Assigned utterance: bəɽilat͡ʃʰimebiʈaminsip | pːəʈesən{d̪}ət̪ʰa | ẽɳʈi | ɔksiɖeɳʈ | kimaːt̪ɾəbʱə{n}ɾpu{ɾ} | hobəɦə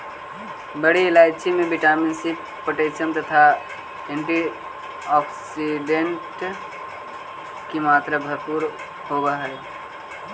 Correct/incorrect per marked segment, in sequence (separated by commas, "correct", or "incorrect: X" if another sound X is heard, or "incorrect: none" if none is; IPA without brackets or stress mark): incorrect: t̪, incorrect: none, correct